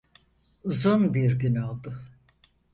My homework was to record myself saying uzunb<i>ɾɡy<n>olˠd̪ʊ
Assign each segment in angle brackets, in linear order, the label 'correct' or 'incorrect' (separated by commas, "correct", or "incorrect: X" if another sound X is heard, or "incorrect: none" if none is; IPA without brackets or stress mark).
correct, correct